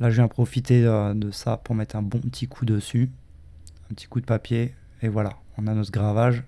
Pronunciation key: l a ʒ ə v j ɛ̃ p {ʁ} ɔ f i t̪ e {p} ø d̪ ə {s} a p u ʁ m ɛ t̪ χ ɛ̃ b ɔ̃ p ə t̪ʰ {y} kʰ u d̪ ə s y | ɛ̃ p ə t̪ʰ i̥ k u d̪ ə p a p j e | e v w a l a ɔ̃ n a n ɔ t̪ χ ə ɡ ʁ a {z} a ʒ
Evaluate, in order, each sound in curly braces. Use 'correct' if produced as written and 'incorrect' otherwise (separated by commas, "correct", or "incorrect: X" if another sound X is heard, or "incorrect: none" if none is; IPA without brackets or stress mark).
incorrect: χ, incorrect: none, correct, incorrect: i, incorrect: v